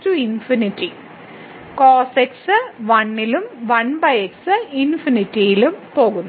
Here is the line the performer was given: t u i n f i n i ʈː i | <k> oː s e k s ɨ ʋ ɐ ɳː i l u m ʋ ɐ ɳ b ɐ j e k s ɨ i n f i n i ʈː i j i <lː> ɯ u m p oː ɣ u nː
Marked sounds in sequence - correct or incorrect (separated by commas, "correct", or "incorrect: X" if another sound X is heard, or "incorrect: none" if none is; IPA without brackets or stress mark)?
correct, incorrect: l